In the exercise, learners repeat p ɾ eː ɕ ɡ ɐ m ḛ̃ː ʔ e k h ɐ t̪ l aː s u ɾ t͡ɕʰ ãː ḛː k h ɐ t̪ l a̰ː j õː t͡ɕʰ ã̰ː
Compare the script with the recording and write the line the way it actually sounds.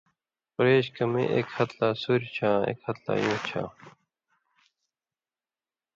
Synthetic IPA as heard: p ɾ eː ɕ k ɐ m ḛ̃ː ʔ e k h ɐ t̪ l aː s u ɾ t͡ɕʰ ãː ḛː k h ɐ t̪ l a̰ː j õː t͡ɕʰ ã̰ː